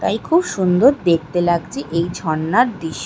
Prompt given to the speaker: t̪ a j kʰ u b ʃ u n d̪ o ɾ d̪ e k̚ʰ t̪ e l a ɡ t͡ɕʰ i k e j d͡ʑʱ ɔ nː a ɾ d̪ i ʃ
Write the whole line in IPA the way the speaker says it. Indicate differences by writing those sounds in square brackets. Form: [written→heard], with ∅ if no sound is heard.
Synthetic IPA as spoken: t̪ a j kʰ u b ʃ u n d̪ o ɾ d̪ e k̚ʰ t̪ e l a ɡ t͡ɕʰ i [k→ʔ] e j d͡ʑʱ ɔ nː a ɾ d̪ i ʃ